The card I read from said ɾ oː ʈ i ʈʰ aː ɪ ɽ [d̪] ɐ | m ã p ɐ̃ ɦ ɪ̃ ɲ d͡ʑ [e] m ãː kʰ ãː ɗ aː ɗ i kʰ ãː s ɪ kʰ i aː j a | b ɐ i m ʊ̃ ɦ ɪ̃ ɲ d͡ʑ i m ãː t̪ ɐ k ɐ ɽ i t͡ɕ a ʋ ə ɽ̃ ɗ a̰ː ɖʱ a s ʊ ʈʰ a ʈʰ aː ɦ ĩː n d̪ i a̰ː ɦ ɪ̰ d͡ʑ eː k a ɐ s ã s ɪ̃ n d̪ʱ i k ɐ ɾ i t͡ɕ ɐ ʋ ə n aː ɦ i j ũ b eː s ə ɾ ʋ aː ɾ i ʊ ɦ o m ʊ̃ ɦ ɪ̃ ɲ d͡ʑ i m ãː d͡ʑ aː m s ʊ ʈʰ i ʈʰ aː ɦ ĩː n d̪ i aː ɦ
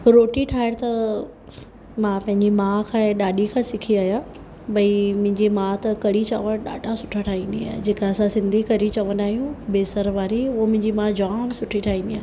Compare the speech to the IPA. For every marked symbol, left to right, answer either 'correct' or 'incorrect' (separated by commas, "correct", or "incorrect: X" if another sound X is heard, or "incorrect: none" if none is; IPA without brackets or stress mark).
incorrect: t̪, incorrect: i